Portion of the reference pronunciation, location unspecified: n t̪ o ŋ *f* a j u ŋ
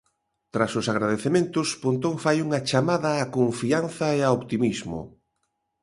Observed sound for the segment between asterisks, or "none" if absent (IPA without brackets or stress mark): f